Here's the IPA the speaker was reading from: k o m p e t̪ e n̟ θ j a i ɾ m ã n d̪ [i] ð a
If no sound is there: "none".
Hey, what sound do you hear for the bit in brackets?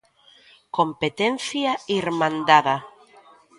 a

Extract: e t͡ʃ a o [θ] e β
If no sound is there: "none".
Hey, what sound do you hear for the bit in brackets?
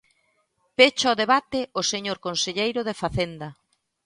ð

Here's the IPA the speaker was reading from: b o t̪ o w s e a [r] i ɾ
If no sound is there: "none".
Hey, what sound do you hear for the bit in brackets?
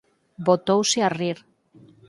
r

